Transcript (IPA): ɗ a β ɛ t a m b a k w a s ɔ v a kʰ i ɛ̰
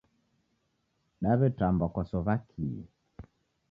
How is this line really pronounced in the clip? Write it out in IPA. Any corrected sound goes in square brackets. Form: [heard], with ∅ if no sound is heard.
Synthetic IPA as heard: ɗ a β ɛ t a m b a k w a s ɔ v a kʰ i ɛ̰